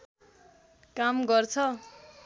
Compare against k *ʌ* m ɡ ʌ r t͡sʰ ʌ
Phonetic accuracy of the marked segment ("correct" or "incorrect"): incorrect